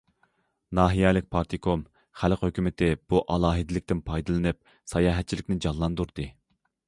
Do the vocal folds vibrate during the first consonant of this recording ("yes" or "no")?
yes